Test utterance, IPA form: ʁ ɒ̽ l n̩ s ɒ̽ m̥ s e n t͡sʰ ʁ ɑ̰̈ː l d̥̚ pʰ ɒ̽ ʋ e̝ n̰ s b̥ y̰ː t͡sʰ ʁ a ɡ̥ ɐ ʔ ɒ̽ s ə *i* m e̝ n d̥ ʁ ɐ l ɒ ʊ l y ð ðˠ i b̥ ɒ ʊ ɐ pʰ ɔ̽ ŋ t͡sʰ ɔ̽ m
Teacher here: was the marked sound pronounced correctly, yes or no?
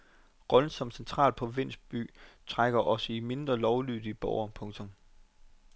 yes